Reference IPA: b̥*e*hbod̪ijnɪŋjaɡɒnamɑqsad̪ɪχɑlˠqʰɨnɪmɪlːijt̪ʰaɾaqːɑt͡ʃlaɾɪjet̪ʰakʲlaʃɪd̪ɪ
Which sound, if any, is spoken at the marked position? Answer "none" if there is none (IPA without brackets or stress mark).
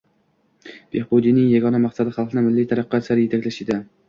e